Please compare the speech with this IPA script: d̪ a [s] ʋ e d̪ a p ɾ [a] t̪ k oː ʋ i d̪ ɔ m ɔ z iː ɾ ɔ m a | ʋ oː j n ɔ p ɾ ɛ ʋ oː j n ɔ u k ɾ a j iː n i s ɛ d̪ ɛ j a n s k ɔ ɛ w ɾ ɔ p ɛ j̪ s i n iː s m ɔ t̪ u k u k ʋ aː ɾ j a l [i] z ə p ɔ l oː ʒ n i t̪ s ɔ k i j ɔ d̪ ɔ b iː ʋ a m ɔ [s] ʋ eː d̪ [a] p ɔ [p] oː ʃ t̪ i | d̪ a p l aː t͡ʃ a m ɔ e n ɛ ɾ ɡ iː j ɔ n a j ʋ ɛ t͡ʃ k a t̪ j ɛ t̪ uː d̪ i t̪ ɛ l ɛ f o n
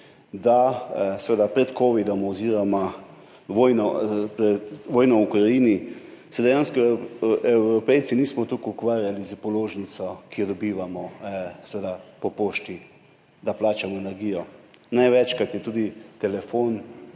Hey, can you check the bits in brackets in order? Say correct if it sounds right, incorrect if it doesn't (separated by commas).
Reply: correct, incorrect, correct, correct, correct, correct